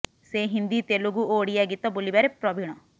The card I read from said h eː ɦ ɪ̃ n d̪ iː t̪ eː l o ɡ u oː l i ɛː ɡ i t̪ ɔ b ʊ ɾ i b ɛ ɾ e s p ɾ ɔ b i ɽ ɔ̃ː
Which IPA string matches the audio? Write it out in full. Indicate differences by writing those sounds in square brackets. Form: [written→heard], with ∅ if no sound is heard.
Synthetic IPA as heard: [h→s] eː ɦ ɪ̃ n d̪ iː t̪ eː l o ɡ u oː [l→ɽ] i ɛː ɡ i t̪ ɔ b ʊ [ɾ→l] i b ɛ ɾ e [s→∅] p ɾ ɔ b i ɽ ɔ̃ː